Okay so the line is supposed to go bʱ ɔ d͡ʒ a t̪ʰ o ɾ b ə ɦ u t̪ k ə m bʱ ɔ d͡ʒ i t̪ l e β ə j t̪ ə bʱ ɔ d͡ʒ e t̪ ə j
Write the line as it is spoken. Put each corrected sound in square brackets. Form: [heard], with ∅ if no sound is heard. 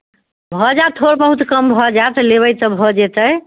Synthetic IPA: bʱ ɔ d͡ʒ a t̪ʰ o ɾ b ə ɦ u t̪ k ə m bʱ ɔ d͡ʒ [a] t̪ l e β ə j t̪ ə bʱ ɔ d͡ʒ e t̪ ə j